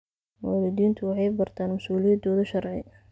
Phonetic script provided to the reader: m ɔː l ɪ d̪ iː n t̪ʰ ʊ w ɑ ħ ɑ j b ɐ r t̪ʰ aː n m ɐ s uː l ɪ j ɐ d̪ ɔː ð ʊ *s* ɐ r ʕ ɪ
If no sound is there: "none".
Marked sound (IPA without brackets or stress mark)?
ʃ